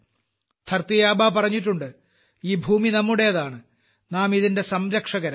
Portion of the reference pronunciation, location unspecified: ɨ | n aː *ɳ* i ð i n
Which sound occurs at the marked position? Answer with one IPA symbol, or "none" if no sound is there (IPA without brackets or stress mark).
m